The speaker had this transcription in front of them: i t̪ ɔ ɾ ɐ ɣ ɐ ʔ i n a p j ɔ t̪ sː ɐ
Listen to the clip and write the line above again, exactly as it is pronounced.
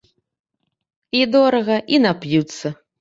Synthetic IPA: i d̪ ɔ ɾ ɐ ɣ ɐ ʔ i n a p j u t̪ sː ɐ